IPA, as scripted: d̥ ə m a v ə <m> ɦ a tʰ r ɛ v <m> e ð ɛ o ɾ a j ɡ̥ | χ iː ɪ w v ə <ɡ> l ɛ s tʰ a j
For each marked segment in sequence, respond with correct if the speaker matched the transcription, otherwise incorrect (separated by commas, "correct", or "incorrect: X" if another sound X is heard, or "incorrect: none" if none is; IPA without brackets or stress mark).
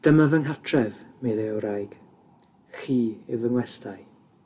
incorrect: ŋ, correct, incorrect: ŋ